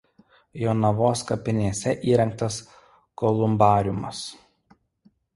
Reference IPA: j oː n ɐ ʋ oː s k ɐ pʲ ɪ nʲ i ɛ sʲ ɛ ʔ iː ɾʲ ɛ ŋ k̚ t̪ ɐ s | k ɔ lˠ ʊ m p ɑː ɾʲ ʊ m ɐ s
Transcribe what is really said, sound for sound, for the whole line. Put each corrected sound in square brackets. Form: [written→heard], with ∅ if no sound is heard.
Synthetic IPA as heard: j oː n ɐ ʋ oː s k ɐ pʲ ɪ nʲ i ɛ sʲ ɛ ʔ iː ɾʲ ɛ ŋ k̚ t̪ ɐ s | k ɔ lˠ ʊ m [p→b] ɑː ɾʲ ʊ m ɐ s